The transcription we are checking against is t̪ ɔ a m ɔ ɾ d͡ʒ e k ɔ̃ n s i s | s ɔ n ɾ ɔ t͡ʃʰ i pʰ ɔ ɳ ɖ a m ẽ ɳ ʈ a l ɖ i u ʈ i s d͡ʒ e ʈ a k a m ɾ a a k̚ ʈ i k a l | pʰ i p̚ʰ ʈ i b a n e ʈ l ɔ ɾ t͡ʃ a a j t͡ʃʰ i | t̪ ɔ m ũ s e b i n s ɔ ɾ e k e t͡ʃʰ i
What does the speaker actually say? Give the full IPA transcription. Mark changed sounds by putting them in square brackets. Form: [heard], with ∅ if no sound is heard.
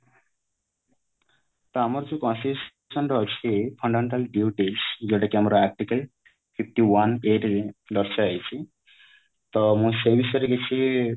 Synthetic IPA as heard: t̪ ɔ a m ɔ ɾ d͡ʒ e k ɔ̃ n s i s | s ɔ n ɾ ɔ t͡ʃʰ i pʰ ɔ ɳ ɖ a m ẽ ɳ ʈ a l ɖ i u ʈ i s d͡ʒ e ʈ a k a m ɾ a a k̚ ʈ i k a l | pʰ i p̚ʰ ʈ i [w] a n e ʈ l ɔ ɾ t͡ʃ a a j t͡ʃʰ i | t̪ ɔ m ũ s e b i [∅] s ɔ ɾ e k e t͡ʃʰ i